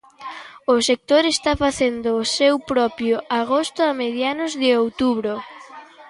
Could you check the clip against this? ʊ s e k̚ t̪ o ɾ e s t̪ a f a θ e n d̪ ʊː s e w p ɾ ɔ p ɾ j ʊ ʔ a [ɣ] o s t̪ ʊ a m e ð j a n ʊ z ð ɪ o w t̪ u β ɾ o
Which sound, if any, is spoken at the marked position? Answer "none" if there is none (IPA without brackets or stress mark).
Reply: ɣ